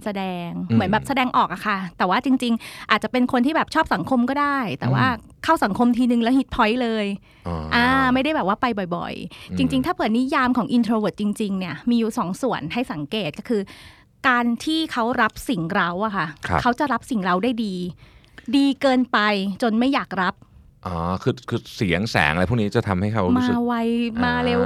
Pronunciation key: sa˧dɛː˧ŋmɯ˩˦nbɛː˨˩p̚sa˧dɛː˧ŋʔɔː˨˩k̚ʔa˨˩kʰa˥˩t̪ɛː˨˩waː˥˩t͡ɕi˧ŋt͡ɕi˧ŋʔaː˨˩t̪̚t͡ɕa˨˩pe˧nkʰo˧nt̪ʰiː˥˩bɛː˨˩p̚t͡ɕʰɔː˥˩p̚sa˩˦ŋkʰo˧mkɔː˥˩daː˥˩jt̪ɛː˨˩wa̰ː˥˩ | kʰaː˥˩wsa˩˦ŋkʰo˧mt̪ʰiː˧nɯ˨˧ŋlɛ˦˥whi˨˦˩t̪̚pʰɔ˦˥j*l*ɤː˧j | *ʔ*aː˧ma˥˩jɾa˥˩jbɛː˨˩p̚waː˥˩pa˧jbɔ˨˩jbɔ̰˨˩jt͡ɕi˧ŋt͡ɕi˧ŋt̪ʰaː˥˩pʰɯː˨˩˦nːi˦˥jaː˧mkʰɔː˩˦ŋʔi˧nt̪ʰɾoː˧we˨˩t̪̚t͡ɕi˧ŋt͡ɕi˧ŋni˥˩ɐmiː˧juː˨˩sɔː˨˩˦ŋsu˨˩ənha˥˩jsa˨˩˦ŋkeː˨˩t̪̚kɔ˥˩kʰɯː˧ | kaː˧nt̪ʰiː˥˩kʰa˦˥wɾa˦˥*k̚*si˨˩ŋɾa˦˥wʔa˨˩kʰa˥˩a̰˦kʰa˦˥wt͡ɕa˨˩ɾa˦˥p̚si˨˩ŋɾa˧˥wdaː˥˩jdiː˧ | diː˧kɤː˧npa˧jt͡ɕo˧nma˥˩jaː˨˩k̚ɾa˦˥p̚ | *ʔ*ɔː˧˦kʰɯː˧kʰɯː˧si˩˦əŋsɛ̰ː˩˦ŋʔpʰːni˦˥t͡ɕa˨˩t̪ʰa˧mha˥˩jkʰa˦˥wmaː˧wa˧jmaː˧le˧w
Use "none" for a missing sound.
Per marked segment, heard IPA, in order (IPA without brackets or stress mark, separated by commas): l, ʔ, p̚, ʔ